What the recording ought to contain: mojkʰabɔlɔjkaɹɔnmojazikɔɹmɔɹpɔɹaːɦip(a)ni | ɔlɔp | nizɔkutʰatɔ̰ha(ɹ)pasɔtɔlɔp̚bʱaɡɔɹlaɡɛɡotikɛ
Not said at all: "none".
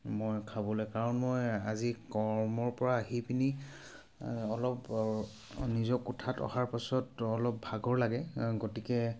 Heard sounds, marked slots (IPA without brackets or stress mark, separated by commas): i, ɹ